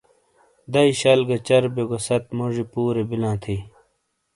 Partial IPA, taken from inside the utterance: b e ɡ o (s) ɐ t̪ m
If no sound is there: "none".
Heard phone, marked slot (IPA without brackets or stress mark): s